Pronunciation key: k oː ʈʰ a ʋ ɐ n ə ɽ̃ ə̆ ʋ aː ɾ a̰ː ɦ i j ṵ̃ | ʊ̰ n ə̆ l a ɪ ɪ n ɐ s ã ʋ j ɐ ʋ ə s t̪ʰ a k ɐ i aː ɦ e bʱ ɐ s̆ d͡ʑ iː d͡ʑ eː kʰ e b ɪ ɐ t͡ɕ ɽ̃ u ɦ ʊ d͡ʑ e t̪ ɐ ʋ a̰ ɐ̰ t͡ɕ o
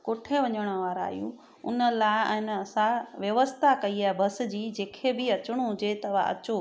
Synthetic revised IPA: k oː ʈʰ e ʋ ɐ ɲ ə ɽ̃ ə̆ ʋ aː ɾ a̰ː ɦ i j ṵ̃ | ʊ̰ n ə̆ l a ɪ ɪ n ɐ s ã ʋ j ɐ ʋ ə s t̪ʰ a k ɐ i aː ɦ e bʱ ɐ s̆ d͡ʑ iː d͡ʑ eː kʰ e b ɪ ɐ t͡ɕ ɽ̃ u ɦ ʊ d͡ʑ e t̪ ɐ ʋ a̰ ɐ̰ t͡ɕ o